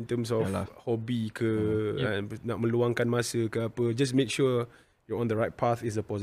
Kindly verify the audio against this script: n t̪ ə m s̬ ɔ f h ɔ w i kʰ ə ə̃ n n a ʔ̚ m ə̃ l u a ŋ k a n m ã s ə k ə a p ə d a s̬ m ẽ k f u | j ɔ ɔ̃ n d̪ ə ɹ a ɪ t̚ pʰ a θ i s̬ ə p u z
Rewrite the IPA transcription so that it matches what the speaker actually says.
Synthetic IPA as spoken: n t̪ ə m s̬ ɔ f h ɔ b i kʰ ə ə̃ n n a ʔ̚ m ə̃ l u a ŋ k a n m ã s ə k ə a p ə d͡ʒ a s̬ m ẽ k ʃ u | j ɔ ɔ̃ n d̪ ə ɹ a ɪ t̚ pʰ a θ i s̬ ə p ɔ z